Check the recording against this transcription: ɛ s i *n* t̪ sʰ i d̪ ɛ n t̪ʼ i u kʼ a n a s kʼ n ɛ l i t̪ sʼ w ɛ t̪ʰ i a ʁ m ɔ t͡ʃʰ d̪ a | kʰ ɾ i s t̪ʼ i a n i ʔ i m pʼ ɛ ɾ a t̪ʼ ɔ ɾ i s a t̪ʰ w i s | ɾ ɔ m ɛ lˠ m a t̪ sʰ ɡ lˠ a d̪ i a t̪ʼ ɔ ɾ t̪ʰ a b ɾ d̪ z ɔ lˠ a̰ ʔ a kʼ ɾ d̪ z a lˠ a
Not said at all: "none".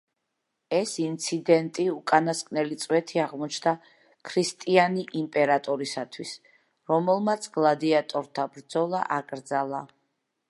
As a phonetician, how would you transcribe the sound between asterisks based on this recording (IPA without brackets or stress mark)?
n